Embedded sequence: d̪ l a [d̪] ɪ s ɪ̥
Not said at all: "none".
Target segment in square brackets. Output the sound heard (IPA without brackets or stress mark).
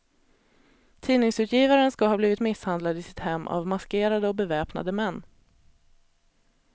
d̪